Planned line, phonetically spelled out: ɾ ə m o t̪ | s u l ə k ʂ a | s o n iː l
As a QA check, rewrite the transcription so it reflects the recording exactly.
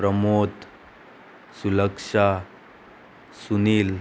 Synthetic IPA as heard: ɾ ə m o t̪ | s u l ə k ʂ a | s u n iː l